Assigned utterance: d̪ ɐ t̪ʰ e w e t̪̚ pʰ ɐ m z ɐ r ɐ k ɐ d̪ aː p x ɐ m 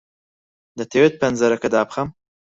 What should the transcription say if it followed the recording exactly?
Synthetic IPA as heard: d̪ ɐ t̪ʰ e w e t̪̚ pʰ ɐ n z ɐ ɾ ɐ k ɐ d̪ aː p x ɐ m